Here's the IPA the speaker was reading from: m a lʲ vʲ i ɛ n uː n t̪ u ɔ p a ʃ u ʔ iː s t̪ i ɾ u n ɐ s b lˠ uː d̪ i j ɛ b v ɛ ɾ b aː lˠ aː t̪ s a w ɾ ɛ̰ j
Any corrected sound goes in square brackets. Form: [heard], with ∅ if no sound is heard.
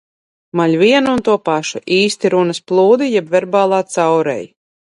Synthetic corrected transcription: m a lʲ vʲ i ɛ n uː n t̪ u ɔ p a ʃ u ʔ iː s t̪ i ɾ u n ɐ s [p] lˠ uː d̪ i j ɛ b v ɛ ɾ b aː lˠ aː t̪ s a w ɾ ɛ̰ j